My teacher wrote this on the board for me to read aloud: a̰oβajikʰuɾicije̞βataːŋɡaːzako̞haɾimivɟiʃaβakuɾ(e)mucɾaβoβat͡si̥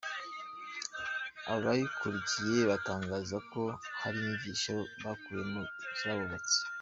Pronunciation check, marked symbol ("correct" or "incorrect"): correct